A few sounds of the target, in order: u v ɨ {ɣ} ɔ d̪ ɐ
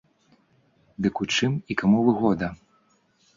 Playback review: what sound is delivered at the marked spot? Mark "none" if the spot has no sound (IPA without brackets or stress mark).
ɣ